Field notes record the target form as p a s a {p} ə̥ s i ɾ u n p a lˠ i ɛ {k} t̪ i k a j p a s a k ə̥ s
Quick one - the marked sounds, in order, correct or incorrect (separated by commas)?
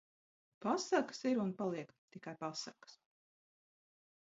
incorrect, correct